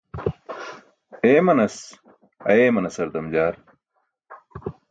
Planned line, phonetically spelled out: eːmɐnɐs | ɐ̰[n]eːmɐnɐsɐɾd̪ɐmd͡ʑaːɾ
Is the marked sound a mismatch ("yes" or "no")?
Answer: yes